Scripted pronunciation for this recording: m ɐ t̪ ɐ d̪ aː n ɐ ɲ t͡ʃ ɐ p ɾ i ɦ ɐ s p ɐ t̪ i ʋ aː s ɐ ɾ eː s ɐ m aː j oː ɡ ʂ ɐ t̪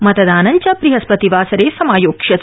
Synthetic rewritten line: m ɐ t̪ ɐ d̪ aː n ɐ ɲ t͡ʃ ɐ p ɾ i ɦ ɐ s p ɐ t̪ i ʋ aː s ɐ ɾ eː s ɐ m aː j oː k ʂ ɐ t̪